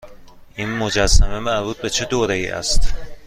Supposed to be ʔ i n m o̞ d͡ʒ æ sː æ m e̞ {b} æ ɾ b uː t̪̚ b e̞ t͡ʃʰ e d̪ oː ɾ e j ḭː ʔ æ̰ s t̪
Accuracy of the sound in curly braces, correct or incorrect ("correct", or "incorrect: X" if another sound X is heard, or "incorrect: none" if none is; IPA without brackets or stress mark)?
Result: incorrect: m